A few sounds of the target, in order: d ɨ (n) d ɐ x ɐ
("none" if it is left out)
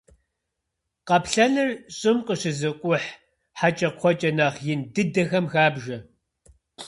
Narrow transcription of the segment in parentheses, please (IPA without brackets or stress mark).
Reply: none